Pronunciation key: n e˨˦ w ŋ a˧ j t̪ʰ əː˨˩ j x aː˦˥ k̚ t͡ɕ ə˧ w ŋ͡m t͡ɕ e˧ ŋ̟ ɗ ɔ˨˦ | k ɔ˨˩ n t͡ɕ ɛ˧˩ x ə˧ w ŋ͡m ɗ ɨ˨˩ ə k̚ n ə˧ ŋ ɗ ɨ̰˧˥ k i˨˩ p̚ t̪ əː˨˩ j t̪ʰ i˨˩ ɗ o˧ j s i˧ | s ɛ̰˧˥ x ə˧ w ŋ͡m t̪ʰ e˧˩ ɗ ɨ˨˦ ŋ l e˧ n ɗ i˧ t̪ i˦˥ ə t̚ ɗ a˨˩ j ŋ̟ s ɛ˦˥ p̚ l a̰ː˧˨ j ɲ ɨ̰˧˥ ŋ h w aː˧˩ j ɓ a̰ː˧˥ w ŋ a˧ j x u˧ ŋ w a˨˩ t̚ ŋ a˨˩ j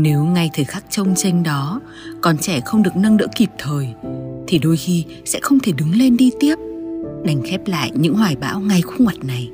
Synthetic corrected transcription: n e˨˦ w ŋ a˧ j t̪ʰ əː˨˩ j x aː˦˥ k̚ t͡ɕ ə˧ w ŋ͡m t͡ɕ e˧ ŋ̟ ɗ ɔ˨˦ | k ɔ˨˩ n t͡ɕ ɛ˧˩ x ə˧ w ŋ͡m ɗ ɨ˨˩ ə k̚ n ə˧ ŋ ɗ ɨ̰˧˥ k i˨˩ p̚ t̪ʰ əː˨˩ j t̪ʰ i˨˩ ɗ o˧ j x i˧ | s ɛ̰˧˥ x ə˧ w ŋ͡m t̪ʰ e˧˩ ɗ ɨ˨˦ ŋ l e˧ n ɗ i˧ t̪ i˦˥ ə p̚ ɗ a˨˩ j ŋ̟ x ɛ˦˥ p̚ l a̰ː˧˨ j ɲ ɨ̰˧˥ ŋ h w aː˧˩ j ɓ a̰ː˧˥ w ŋ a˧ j x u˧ ŋ w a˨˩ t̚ n a˨˩ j